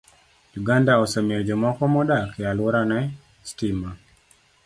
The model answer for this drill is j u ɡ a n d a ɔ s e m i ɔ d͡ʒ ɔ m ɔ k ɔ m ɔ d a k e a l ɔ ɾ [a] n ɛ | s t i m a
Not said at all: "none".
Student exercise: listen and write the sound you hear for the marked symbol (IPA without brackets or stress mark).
a